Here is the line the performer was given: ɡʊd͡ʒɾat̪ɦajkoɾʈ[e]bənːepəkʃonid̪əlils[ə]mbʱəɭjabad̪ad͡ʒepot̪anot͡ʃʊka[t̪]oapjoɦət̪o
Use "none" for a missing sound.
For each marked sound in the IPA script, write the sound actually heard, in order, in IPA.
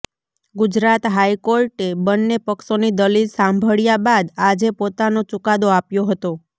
e, a, d̪

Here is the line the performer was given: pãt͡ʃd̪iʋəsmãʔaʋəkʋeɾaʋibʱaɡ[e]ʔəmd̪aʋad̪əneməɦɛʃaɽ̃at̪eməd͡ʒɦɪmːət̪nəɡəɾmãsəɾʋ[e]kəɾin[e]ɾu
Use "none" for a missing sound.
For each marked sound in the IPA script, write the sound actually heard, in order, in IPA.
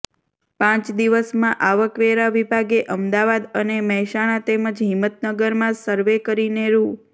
e, e, e

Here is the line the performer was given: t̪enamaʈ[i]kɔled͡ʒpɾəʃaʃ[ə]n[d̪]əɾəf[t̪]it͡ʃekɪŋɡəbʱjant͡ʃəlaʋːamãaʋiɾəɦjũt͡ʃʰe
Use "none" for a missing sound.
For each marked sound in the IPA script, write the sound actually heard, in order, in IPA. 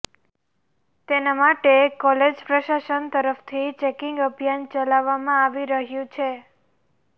e, ə, t̪, t̪ʰ

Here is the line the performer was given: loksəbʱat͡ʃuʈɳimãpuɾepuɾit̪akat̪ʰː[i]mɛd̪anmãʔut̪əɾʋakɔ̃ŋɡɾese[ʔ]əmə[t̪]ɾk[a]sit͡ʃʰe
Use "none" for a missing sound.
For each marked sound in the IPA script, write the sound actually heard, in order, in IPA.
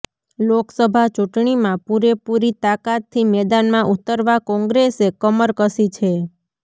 i, k, none, ə

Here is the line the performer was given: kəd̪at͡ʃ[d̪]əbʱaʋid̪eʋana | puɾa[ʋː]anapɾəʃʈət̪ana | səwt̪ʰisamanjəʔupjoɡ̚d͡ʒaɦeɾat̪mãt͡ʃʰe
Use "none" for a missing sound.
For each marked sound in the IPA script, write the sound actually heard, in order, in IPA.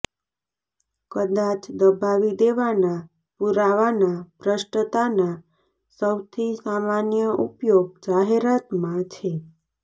d̪, ʋ

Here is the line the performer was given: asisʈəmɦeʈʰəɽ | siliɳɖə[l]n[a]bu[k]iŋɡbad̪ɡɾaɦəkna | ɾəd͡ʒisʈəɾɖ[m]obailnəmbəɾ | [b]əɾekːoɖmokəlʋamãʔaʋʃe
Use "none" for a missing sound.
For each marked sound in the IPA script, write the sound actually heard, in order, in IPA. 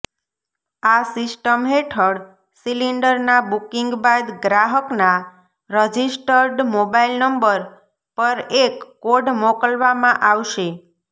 ɾ, a, k, m, p

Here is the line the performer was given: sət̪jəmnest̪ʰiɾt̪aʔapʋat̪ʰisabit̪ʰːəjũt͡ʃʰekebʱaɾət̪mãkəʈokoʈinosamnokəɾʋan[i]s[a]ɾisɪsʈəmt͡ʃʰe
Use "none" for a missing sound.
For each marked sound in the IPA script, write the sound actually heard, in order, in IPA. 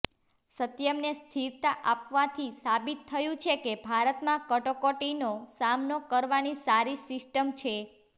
i, a

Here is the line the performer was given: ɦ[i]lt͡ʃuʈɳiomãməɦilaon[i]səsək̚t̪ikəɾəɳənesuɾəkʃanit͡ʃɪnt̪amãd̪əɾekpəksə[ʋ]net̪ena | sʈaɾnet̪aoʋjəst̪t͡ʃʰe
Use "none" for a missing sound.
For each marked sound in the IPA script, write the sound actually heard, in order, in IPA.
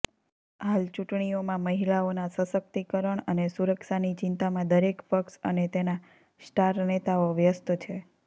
a, a, none

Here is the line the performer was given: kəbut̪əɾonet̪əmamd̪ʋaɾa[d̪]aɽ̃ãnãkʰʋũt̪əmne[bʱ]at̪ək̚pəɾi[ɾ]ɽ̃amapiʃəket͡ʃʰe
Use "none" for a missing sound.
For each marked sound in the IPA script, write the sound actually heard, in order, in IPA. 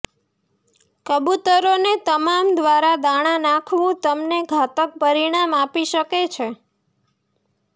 d̪, ɡʱ, none

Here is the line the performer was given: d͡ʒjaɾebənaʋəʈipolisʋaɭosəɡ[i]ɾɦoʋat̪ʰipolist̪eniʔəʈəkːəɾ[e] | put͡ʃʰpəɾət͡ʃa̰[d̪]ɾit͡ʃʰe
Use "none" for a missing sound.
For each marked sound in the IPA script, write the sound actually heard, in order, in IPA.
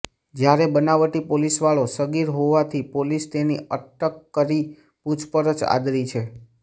i, i, d̪

